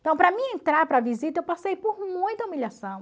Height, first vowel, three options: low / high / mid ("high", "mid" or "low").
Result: low